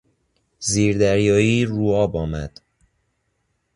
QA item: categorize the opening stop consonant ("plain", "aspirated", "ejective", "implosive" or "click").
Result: plain